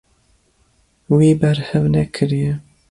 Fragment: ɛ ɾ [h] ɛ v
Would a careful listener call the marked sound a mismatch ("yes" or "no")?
no